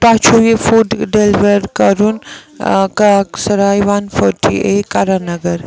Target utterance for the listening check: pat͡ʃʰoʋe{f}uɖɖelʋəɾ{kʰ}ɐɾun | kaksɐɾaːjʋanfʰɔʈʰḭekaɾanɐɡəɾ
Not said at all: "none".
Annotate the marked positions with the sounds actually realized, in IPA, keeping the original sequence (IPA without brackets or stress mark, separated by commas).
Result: f, k